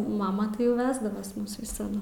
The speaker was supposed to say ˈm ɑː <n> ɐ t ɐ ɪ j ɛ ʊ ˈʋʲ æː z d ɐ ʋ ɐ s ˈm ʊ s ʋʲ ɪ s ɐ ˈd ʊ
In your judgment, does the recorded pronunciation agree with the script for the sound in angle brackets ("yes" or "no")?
no